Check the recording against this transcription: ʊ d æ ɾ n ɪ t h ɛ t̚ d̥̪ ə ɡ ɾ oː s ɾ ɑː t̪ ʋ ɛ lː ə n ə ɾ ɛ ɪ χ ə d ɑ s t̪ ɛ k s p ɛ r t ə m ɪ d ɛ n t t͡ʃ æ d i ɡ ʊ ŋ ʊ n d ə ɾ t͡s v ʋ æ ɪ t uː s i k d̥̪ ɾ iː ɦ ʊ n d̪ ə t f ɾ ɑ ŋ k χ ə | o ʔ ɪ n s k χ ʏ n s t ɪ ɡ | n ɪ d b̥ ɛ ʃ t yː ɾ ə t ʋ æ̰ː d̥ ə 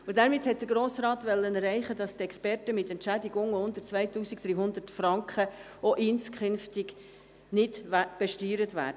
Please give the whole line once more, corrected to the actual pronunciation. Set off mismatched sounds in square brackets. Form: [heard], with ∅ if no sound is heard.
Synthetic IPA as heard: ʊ d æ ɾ [m] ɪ t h ɛ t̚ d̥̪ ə ɡ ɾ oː s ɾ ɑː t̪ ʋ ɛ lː ə n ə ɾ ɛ ɪ χ ə d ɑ s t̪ ɛ k s p ɛ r t ə m ɪ [t] ɛ n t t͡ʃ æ d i ɡ ʊ ŋ ʊ n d ə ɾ t͡s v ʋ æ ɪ t uː s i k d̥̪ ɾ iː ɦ ʊ n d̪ ə t f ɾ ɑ ŋ k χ ə | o ʔ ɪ n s k χ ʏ n [f] t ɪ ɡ | n ɪ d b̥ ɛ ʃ t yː ɾ ə t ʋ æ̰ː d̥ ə